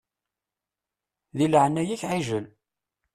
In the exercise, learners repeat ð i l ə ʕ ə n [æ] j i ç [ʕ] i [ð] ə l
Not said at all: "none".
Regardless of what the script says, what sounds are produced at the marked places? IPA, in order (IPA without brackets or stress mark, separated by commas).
æ, ʕ, ʒ